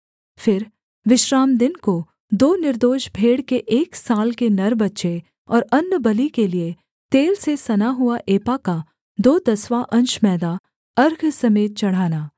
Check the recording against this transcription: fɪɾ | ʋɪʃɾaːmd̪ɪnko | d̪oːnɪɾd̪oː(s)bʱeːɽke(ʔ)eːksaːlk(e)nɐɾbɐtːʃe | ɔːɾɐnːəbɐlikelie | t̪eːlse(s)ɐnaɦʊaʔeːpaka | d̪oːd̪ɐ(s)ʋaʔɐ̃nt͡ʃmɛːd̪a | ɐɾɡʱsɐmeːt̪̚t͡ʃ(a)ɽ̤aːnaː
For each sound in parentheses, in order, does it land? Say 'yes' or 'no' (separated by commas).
no, yes, yes, yes, yes, no